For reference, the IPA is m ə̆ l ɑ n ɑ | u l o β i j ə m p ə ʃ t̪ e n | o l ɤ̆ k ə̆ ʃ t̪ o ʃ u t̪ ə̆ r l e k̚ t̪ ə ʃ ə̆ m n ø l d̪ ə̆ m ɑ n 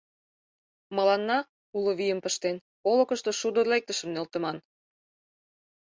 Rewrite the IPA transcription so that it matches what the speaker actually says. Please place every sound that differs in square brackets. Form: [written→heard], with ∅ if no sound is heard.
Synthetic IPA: m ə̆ l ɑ [n→nː] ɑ | u l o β i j ə m p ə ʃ t̪ e n | o l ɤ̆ k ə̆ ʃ t̪ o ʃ u [t̪→d̪] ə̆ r l e k̚ t̪ ə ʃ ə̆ m n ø l [d̪→t̪] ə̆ m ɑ n

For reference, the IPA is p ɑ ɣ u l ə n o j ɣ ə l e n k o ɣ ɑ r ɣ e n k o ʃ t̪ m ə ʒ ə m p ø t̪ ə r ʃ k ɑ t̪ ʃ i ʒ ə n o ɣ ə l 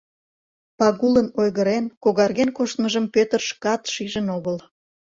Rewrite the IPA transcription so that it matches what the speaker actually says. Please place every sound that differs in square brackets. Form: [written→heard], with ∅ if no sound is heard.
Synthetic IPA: p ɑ ɣ u l ə n o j ɣ ə [l→ɾ] e n k o ɣ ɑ r ɣ e n k o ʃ t̪ m ə ʒ ə m p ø t̪ ə r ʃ k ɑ t̪ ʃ i ʒ ə n o ɣ ə l

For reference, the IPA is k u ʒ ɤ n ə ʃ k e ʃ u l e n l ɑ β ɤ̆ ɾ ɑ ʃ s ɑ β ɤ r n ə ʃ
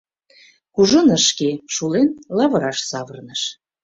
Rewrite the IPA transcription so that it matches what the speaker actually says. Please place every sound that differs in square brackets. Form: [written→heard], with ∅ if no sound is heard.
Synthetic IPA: k u ʒ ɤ n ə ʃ k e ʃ u l e n l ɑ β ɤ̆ ɾ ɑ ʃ s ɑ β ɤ r n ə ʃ

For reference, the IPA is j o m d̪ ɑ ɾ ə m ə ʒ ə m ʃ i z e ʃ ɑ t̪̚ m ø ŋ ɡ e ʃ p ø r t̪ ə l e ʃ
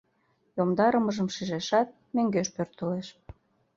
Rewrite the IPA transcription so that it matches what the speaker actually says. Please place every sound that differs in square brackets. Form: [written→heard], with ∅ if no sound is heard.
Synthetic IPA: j o m d̪ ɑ ɾ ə m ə ʒ ə m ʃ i [z→ʒ] e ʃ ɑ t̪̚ m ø ŋ ɡ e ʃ p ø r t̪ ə l e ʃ

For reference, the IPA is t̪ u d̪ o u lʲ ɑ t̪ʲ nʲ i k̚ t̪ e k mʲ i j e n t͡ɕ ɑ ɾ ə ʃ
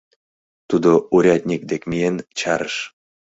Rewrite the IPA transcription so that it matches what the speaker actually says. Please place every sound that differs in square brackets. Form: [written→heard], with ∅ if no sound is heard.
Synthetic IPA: t̪ u d̪ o u [lʲ→ɾʲ] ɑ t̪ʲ nʲ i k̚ [t̪→d̪] e k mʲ i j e n t͡ɕ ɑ ɾ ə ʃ

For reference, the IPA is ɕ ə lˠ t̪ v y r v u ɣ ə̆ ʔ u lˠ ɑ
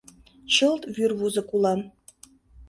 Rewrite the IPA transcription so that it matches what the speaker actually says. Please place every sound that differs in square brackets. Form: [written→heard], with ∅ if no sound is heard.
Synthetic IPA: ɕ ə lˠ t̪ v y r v u [ɣ→z] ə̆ [ʔ→k] u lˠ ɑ

